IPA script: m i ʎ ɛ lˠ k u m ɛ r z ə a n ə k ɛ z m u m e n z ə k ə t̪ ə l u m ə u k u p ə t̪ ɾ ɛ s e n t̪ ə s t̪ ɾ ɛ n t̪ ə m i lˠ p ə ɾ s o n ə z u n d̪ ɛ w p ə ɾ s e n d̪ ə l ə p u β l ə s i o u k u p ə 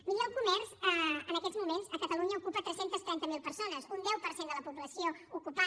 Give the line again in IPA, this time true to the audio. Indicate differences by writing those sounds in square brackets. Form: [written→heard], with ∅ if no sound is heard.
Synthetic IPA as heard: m i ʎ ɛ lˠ k u m ɛ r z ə [a→ə] n ə k ɛ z m u m e n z ə k ə t̪ ə l u [m→ɲ] ə u k u p ə t̪ ɾ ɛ s e n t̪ ə s t̪ ɾ ɛ n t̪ ə m i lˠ p ə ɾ s o n ə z u n d̪ ɛ w p ə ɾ s e n d̪ ə l ə p u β l ə s i o u k u p [ə→a]